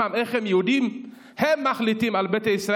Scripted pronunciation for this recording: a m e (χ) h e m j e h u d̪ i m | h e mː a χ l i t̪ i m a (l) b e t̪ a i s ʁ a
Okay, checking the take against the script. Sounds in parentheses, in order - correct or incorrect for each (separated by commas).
correct, correct